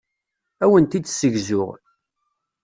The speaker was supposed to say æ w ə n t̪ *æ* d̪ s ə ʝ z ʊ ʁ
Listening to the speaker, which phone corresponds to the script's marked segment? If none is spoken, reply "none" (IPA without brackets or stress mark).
i